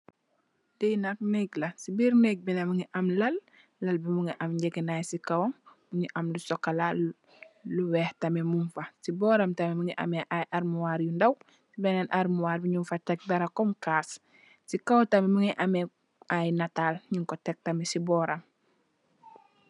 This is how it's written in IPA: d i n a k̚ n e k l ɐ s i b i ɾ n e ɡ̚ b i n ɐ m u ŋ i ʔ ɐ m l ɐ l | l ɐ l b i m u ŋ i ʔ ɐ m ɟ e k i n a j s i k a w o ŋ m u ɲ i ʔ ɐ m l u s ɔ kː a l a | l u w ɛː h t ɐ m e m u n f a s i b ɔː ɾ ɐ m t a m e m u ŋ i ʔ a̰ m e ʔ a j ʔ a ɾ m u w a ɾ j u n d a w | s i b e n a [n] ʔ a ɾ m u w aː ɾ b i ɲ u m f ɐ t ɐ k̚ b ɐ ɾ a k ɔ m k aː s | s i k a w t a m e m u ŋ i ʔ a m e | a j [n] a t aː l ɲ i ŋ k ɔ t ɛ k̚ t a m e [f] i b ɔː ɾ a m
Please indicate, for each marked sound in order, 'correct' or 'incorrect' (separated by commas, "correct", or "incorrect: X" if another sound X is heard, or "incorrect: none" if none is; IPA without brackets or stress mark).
correct, correct, incorrect: s